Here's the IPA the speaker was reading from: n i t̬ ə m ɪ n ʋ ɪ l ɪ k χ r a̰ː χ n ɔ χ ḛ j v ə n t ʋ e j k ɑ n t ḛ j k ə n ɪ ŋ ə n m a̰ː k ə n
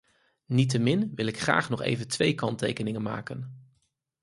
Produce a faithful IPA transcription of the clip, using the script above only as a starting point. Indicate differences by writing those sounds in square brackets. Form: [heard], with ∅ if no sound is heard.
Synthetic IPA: n i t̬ ə m ɪ n ʋ ɪ l ɪ k χ r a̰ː χ n ɔ χ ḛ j v ə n t ʋ e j k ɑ n t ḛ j k ə n ɪ ŋ ə n m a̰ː k ə n